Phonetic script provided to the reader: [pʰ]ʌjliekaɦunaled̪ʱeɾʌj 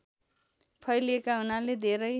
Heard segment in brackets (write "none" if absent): pʰ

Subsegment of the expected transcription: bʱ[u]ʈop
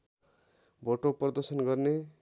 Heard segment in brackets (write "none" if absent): o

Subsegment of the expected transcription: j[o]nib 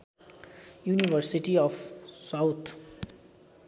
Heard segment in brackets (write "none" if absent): u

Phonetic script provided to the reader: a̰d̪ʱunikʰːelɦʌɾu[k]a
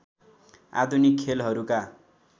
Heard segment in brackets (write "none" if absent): k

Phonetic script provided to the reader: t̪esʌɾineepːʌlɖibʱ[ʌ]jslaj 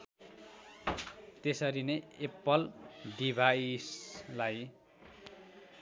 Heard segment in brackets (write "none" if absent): a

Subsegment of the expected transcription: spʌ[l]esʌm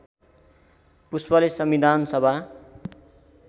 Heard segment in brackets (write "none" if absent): l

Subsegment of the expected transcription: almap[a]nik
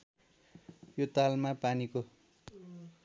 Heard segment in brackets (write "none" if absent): a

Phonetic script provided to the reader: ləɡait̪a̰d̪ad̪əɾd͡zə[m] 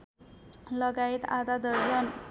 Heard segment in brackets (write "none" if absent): n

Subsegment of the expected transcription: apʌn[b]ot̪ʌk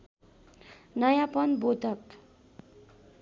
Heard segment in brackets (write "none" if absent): b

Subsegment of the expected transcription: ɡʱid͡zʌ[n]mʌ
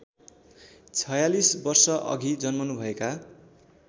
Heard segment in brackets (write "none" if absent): n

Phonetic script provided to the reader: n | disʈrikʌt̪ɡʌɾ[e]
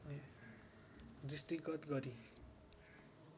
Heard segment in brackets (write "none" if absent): i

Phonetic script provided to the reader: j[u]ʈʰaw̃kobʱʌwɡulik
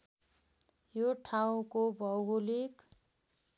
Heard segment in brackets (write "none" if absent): o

